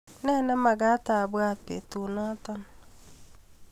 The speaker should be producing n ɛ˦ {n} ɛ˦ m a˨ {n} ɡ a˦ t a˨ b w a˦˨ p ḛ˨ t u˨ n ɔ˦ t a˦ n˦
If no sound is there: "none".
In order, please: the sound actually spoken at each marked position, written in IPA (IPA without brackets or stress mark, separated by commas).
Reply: n, none